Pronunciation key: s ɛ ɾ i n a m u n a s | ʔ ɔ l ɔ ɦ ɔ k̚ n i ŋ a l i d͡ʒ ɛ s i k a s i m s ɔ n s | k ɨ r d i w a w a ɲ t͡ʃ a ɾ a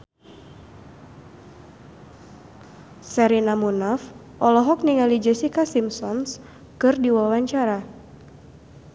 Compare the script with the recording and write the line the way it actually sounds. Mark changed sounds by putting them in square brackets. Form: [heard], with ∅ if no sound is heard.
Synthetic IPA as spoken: s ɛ ɾ i n a m u n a [f] | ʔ ɔ l ɔ ɦ ɔ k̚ n i ŋ a l i d͡ʒ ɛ s i k a s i m s ɔ n s | k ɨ r d i w a w a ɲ t͡ʃ a ɾ a